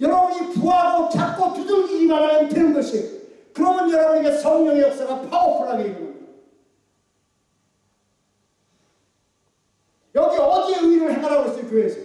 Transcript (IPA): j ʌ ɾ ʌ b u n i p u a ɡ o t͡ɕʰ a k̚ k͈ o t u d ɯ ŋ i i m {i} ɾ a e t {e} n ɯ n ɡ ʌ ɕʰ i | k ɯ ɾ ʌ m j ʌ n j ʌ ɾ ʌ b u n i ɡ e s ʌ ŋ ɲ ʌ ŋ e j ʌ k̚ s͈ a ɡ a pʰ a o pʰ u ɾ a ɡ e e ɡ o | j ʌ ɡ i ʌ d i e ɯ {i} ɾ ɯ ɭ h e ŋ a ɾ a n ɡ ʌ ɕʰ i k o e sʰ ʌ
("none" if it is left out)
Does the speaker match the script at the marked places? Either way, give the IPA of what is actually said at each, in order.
a, e, i

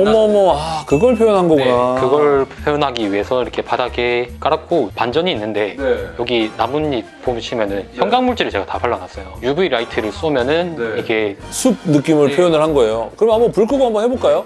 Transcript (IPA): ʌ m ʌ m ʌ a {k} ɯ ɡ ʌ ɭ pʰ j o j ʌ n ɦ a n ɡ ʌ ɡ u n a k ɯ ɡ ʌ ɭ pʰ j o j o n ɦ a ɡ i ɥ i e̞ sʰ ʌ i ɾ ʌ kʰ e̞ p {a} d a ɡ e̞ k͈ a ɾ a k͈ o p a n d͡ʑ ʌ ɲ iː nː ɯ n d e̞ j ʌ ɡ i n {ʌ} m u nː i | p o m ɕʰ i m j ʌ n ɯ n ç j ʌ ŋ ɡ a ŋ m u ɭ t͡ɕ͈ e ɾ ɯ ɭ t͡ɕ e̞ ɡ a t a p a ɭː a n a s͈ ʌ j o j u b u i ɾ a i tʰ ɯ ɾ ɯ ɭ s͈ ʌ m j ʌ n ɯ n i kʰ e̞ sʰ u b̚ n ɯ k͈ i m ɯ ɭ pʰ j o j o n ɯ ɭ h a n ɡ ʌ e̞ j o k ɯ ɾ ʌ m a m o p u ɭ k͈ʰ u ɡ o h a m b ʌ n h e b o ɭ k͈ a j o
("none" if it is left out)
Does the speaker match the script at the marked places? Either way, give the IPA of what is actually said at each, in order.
k, a, a

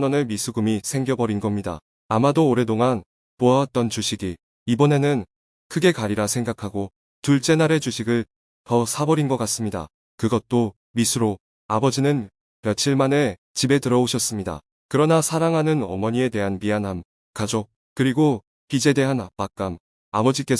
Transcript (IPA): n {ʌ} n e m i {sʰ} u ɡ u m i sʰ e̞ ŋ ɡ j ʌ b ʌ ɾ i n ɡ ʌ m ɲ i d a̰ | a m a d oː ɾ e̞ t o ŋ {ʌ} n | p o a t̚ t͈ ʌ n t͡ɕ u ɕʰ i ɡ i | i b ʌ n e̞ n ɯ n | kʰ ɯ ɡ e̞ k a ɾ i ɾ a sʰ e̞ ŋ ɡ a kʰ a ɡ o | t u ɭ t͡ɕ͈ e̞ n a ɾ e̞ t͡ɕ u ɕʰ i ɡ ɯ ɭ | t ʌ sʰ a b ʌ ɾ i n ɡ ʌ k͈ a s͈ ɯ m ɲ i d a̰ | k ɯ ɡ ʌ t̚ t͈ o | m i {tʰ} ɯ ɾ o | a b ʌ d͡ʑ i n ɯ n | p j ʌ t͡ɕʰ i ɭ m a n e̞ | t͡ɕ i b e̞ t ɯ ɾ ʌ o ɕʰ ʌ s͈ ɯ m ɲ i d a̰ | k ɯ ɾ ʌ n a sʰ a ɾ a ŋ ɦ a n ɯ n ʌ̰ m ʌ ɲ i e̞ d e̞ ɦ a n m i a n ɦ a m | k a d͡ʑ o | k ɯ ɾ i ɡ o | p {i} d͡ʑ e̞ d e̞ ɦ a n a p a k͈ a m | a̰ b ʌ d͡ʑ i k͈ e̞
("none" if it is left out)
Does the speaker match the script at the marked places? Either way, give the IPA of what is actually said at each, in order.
ʌ, sʰ, a, sʰ, i

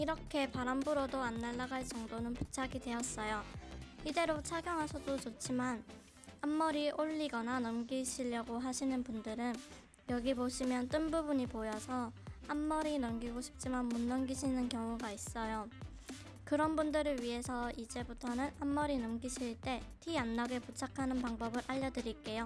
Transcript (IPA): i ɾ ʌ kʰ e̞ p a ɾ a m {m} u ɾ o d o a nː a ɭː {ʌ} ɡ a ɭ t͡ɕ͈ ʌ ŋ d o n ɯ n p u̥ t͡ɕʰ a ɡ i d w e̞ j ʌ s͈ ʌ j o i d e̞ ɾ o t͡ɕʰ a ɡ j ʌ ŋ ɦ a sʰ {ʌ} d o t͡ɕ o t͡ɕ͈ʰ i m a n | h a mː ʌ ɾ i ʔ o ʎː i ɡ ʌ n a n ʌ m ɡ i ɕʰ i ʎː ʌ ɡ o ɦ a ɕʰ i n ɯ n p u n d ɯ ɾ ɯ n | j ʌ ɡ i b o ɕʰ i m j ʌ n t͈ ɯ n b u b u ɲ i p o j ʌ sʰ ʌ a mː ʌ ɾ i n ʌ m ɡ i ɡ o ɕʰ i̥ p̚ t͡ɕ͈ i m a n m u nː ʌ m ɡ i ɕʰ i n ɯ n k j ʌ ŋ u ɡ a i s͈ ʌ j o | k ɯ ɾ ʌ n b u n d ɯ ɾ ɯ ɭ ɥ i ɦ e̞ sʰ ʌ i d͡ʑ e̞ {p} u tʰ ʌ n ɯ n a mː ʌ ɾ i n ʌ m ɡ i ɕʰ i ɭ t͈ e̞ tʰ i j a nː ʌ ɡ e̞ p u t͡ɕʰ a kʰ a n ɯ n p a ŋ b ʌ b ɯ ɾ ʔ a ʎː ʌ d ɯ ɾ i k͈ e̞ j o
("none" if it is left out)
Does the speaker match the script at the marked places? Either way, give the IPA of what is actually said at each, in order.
b, a, ʌ, b

